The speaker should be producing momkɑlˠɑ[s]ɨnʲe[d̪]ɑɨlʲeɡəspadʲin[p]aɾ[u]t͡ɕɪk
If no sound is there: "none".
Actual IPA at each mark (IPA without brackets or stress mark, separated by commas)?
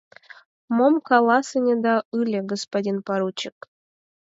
s, d̪, p, u